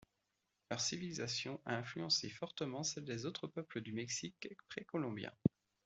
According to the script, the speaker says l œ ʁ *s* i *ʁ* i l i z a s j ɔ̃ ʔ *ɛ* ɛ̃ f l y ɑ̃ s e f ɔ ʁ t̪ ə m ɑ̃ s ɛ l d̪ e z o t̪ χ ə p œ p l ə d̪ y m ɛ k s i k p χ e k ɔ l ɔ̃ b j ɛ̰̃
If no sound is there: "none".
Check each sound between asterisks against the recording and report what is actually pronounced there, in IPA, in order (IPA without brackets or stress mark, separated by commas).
s, v, a